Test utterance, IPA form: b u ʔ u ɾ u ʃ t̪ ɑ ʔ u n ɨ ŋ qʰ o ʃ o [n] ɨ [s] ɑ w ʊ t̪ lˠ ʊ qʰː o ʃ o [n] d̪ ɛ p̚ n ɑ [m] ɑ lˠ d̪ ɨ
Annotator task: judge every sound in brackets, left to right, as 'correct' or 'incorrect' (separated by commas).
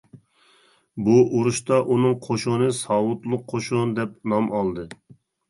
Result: correct, correct, correct, correct